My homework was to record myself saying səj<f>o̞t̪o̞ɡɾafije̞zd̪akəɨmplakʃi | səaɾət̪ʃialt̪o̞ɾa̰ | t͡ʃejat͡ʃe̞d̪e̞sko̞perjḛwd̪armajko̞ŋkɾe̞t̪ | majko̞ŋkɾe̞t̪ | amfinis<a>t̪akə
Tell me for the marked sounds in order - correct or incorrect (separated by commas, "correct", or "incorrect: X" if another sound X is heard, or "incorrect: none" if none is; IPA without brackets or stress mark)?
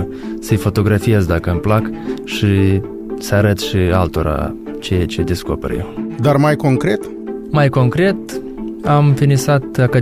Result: correct, correct